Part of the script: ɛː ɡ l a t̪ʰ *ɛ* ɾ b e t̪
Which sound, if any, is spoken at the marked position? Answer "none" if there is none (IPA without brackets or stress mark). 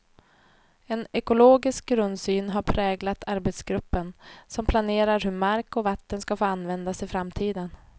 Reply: a